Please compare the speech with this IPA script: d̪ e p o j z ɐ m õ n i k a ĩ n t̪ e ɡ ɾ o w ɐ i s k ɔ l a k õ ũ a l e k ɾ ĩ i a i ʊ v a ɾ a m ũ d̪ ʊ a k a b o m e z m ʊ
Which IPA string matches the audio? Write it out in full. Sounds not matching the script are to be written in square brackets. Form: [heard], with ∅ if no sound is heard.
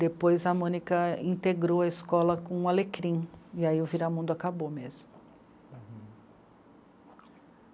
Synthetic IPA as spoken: d̪ e p o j z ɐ m õ n i k [ɐ] ĩ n t̪ e ɡ ɾ o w ɐ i s k ɔ l [ɐ] k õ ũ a l e k ɾ ĩ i a i ʊ v [i] ɾ a m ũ d̪ ʊ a k a b o m e z m ʊ